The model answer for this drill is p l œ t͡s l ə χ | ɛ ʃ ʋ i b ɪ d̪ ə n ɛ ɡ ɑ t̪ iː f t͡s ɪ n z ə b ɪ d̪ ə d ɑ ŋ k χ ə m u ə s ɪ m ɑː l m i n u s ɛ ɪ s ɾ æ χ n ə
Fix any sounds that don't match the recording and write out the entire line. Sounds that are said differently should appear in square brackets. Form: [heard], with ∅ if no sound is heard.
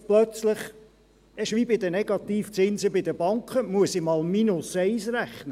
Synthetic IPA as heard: p l œ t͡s l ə χ | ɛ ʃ ʋ i b ɪ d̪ ə n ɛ ɡ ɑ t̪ iː f t͡s ɪ n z ə b ɪ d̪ ə [b] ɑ ŋ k χ ə m u ə s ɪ m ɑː l m i n [ʊ] s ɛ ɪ s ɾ æ χ n ə